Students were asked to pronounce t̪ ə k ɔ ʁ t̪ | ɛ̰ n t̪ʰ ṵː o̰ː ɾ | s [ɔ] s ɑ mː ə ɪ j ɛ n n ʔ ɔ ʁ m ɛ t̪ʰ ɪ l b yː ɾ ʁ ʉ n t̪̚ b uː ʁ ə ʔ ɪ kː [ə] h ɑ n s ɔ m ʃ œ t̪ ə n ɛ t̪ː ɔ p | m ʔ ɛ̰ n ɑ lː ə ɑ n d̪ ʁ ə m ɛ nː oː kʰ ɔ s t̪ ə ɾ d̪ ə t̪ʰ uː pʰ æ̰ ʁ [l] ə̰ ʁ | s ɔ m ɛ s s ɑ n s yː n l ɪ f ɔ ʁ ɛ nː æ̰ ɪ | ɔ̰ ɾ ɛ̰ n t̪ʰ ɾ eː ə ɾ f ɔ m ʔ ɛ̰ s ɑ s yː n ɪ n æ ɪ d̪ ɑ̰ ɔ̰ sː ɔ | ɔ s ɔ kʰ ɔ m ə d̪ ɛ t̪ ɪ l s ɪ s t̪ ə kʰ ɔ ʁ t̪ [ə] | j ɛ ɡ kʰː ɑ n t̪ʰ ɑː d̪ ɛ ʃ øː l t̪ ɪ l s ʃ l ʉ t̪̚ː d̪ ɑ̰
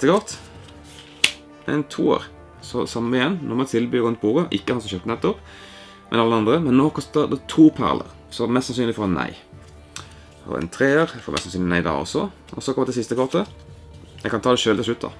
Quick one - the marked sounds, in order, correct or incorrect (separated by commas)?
correct, correct, correct, correct